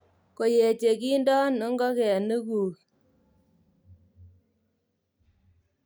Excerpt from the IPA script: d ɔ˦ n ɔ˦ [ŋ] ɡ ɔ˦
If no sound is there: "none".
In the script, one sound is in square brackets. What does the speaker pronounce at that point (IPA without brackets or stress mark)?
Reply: ŋ